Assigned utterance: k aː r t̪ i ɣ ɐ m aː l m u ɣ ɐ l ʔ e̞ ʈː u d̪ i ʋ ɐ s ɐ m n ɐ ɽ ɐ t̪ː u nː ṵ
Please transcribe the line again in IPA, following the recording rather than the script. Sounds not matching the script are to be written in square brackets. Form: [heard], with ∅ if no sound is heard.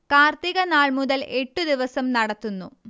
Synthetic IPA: k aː r t̪ i ɣ ɐ [n] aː [ɭ] m u [ð] ɐ l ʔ e̞ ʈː u d̪ i ʋ ɐ s ɐ m n ɐ ɽ ɐ t̪ː u nː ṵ